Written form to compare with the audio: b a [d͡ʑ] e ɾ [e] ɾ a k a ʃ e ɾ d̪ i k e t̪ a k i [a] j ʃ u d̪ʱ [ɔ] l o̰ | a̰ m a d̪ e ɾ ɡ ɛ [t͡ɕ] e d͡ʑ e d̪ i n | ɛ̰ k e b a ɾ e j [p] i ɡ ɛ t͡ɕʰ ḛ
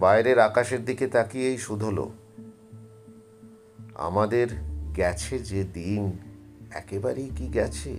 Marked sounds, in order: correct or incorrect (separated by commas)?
incorrect, correct, incorrect, incorrect, incorrect, incorrect